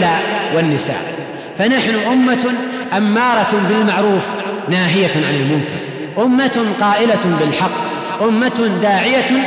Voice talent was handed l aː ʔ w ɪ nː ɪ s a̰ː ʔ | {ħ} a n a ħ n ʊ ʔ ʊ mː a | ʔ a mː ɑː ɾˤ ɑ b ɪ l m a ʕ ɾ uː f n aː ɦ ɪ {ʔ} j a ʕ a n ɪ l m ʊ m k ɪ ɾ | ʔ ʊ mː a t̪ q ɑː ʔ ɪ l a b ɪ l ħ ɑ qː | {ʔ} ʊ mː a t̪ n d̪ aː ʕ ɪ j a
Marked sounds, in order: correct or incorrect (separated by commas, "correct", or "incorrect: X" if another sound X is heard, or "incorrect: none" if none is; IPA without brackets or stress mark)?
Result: incorrect: f, incorrect: none, correct